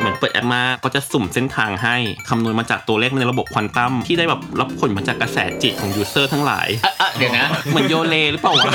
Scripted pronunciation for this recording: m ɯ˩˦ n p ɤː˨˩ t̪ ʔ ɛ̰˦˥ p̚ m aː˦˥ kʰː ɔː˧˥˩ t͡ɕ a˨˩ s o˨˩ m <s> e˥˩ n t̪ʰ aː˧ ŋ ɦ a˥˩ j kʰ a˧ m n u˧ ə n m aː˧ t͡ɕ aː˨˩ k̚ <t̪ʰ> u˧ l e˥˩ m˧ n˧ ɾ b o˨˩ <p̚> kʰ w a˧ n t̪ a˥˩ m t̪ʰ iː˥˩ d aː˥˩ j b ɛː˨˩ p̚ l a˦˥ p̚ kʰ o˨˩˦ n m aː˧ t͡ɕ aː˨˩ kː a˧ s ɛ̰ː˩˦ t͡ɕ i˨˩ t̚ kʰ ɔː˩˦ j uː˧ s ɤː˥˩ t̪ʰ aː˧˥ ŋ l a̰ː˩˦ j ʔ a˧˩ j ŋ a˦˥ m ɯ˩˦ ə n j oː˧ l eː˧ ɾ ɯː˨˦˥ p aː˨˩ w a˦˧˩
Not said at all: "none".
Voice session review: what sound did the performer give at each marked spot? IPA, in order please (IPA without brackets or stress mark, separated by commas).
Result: s, t̪, p̚